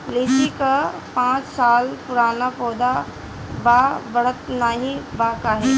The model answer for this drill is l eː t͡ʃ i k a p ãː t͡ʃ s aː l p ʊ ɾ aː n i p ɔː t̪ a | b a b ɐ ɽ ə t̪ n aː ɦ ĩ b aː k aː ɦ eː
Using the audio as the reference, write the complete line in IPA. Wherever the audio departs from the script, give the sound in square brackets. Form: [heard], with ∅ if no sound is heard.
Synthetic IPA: l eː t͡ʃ i k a p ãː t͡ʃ s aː l p ʊ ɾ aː n [a] p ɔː [d̪] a | b a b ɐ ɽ ə t̪ n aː ɦ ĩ b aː k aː ɦ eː